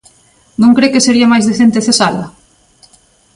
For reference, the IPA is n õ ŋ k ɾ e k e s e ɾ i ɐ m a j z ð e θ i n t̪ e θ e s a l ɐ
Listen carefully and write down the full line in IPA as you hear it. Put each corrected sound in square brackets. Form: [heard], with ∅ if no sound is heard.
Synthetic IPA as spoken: n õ ŋ k ɾ e k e s e ɾ i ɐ m a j z ð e θ [e] n t̪ e θ e s a l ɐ